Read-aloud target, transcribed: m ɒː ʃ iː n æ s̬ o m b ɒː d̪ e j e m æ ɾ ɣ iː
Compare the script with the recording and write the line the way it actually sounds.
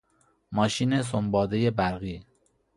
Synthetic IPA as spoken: m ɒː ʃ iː n e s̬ o m b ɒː d̪ e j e b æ ɾ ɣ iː